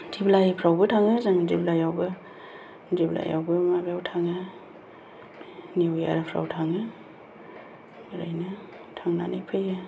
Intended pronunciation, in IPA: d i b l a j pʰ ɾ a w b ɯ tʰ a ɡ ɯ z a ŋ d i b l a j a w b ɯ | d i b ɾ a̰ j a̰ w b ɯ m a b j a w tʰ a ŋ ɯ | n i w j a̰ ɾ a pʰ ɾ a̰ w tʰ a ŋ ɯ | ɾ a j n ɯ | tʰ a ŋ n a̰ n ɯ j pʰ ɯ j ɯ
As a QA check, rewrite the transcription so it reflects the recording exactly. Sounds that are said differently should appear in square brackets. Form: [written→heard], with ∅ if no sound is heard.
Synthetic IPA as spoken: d i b l a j pʰ ɾ a w b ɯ tʰ a [ɡ→ŋ] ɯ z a ŋ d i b l a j a w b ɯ | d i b [ɾ→l] a̰ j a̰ w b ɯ m a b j a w tʰ a ŋ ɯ | n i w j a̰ ɾ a pʰ ɾ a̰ w tʰ a ŋ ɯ | ɾ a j n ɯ | tʰ a ŋ n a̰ n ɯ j pʰ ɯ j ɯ